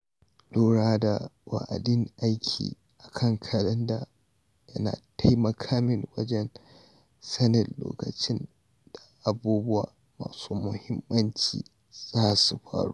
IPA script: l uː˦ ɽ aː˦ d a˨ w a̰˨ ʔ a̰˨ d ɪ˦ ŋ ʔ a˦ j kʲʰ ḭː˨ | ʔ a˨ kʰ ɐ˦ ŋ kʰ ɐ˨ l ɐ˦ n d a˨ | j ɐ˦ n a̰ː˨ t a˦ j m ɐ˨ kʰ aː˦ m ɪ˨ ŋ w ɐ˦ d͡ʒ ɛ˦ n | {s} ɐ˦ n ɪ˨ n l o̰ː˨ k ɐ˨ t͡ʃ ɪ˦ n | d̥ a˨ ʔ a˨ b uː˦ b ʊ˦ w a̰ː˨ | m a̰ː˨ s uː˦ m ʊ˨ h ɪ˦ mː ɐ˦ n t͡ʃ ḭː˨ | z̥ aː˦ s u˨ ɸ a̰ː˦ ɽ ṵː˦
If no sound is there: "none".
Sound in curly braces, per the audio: s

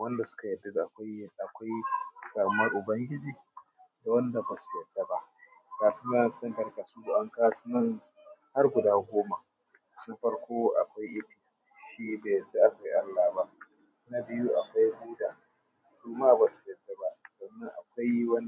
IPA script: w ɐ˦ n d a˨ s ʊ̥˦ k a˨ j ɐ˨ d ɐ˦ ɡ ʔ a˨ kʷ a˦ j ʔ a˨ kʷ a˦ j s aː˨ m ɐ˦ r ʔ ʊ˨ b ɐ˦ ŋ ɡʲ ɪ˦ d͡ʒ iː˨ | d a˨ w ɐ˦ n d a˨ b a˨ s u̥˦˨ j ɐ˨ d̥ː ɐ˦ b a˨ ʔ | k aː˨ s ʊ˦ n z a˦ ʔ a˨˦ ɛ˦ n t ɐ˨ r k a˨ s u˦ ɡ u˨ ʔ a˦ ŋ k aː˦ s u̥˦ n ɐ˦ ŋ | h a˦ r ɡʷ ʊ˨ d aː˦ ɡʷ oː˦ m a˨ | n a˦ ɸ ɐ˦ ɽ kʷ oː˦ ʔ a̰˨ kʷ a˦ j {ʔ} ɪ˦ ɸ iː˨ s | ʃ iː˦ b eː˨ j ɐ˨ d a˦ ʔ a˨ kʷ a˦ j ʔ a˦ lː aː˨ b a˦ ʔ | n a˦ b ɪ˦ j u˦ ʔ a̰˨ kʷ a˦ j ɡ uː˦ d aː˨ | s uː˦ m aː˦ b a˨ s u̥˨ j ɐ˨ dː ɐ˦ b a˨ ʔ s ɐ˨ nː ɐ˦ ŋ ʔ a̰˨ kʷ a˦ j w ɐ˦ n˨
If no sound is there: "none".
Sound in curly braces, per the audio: ʔ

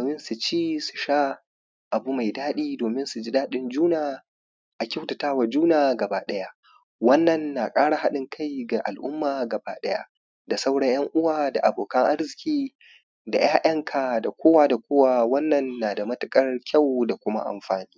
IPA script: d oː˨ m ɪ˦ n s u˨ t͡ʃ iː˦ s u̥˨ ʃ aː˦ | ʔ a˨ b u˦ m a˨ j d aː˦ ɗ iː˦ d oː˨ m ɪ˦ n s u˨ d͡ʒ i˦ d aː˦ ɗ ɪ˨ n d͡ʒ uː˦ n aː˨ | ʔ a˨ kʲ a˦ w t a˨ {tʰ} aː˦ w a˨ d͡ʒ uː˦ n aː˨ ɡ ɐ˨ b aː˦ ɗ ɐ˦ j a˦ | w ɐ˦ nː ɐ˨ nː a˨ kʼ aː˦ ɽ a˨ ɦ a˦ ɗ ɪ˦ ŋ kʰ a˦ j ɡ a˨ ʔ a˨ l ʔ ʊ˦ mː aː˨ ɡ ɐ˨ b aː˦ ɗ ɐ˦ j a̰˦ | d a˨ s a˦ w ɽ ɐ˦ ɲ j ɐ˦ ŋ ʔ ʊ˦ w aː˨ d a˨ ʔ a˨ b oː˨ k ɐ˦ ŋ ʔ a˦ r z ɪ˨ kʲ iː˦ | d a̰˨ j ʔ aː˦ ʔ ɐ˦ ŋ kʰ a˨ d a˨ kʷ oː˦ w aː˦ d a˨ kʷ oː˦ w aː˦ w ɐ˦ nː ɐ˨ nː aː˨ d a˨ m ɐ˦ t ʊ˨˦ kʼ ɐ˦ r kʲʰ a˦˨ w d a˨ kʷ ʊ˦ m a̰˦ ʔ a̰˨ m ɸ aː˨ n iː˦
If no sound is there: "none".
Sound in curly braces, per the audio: t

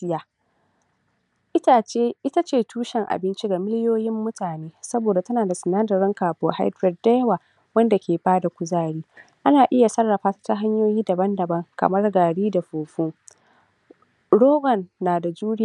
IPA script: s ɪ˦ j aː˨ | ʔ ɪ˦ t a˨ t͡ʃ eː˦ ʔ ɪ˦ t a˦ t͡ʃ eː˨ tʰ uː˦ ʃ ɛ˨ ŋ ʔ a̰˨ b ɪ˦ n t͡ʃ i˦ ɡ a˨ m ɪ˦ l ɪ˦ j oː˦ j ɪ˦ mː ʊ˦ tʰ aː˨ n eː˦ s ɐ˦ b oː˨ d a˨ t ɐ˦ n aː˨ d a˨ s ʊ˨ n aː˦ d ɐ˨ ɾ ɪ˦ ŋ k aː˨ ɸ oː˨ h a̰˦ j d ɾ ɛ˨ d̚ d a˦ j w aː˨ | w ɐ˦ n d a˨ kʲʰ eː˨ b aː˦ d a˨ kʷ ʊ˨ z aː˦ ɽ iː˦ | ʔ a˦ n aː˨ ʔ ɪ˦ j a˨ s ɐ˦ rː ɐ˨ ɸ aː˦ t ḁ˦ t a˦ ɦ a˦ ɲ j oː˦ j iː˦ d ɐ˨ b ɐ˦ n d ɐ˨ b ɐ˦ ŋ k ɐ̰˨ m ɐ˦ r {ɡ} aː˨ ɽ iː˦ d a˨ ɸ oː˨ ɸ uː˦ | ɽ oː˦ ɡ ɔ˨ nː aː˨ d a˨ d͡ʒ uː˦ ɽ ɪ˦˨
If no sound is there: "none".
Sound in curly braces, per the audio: ɡ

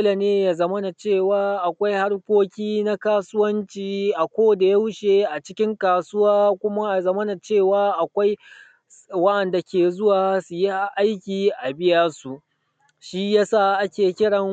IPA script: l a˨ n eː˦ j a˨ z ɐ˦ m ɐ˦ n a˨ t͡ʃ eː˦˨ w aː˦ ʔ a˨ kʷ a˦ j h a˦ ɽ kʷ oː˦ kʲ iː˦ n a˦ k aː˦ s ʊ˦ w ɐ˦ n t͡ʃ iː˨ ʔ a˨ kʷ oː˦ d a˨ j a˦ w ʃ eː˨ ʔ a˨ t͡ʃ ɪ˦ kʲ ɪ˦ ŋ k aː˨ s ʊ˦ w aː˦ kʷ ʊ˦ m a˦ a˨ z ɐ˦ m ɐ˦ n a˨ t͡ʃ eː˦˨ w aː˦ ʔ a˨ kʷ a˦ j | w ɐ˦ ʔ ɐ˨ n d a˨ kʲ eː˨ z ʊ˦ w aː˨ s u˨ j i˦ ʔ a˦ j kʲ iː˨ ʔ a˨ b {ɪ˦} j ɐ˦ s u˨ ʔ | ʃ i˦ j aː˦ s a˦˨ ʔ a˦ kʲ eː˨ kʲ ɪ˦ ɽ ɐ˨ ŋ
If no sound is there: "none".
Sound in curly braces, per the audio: ɪ˦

